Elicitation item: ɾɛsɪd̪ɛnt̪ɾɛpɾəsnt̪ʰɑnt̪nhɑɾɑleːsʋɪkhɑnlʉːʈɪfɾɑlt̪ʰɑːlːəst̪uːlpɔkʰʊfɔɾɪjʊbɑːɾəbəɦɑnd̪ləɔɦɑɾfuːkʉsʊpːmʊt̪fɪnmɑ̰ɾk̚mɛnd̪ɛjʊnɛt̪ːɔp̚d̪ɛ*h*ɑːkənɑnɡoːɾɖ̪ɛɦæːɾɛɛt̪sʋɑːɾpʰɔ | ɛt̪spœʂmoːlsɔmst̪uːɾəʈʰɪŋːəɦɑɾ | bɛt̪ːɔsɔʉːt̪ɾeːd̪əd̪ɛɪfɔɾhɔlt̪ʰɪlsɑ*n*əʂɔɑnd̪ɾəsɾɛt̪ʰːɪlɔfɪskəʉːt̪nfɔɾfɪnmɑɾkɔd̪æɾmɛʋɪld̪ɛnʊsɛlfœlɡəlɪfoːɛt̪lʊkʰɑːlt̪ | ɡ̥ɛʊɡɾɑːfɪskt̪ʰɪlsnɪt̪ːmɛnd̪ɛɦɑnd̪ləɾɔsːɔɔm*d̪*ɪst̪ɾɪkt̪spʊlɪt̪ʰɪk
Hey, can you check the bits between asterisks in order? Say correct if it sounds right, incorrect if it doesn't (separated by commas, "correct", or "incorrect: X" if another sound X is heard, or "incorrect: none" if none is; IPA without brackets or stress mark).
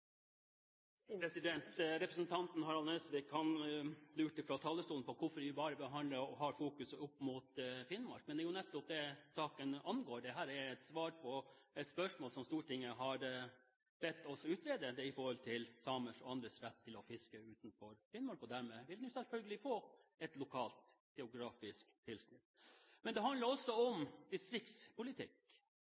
incorrect: s, incorrect: m, correct